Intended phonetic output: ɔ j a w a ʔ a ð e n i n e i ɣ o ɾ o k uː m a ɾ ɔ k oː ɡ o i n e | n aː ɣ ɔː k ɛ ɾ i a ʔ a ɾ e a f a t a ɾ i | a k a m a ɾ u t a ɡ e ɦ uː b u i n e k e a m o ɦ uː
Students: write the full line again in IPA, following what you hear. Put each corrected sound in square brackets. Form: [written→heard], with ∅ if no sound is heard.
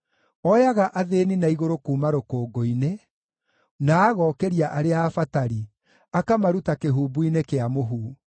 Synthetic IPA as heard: ɔ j a [w→ɣ] a ʔ a ð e n i n [e→a] i ɣ o ɾ o k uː m a ɾ [ɔ→o] k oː ɡ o i n e | n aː ɣ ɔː k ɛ ɾ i a ʔ a ɾ e a f a t a ɾ i | a k a m a ɾ u t a [ɡ→k] e ɦ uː b u i n e k e a m o ɦ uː